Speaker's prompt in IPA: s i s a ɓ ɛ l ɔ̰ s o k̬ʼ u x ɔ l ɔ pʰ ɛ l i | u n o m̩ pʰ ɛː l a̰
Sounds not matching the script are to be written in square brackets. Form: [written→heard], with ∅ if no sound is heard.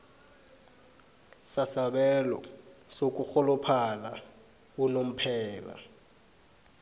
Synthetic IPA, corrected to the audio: s [i→a] s a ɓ ɛ l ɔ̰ s o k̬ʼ u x ɔ l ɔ pʰ [ɛ→a] l [i→a] | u n o m̩ pʰ ɛː l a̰